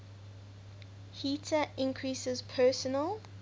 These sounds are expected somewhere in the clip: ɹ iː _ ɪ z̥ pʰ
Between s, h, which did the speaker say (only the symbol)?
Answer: s